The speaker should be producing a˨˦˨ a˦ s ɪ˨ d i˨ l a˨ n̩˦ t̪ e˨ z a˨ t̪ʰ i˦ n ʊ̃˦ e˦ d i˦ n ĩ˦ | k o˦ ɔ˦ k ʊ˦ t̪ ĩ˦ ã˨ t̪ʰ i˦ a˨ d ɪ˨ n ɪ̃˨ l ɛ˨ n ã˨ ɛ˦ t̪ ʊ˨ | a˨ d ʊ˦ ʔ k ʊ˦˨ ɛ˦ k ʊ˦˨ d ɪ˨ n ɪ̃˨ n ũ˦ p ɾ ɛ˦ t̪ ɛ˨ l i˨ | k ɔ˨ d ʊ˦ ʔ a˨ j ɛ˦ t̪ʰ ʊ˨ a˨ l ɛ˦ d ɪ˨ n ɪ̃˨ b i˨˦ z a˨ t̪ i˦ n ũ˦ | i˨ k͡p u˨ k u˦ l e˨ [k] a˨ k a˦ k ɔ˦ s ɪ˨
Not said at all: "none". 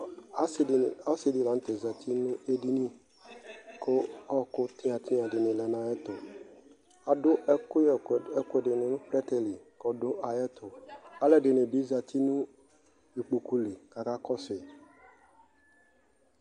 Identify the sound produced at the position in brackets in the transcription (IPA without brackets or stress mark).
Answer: k